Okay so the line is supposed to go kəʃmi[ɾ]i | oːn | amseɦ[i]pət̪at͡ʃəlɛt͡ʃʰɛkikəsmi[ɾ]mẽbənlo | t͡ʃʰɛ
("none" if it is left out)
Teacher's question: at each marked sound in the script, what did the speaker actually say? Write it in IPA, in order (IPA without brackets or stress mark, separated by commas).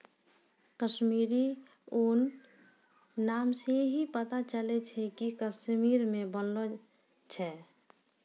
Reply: ɾ, i, ɾ